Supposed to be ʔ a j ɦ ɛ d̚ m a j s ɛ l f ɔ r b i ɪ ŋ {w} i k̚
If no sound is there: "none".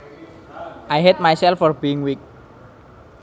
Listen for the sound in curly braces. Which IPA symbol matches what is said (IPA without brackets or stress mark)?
w